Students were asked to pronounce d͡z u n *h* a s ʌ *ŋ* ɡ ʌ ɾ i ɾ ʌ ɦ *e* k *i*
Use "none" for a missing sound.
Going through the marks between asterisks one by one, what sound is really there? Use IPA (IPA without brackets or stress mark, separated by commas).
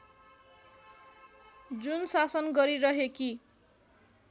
s, n, e, i